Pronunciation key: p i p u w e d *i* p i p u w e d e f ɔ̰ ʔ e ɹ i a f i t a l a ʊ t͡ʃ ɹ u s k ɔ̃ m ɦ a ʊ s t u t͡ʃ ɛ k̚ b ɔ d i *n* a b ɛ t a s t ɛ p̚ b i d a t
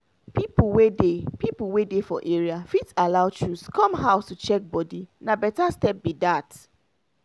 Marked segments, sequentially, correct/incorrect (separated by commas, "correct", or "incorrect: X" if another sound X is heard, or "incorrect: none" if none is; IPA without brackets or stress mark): incorrect: e, correct